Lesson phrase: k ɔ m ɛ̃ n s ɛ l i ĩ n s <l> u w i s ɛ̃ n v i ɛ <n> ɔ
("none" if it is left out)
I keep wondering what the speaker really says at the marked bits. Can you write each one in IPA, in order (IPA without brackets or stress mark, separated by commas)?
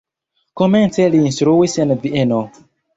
ɾ, n